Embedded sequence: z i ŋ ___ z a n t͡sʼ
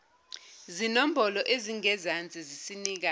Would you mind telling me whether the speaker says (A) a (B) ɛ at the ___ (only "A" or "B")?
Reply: B